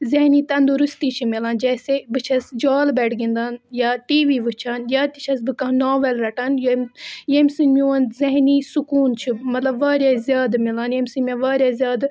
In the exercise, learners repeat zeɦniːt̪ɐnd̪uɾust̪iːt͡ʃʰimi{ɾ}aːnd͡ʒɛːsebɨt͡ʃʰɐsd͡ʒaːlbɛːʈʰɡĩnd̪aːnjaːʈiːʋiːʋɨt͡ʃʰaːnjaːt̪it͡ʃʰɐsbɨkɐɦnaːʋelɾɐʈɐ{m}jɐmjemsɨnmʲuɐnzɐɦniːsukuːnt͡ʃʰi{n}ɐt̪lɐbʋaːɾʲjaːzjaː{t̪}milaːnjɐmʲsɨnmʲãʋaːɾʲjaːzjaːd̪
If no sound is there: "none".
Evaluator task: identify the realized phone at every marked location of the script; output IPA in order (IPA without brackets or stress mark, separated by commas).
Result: l, n, m, d̪